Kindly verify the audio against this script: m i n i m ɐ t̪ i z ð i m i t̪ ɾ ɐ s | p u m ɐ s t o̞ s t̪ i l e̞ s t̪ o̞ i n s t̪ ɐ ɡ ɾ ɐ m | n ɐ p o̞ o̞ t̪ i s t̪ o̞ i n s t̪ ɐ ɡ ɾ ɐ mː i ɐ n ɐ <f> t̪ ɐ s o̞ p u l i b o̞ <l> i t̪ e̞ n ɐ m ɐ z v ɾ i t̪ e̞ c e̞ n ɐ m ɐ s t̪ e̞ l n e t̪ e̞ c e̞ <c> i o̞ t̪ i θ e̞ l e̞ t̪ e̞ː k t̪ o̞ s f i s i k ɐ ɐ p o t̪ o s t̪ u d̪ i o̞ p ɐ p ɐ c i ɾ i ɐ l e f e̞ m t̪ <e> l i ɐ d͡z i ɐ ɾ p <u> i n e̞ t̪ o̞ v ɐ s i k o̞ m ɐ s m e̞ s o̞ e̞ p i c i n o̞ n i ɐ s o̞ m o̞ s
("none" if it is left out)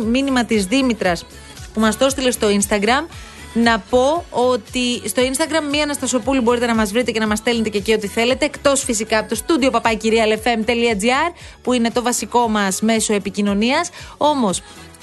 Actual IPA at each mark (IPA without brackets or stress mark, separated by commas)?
s, ɾ, c, e, u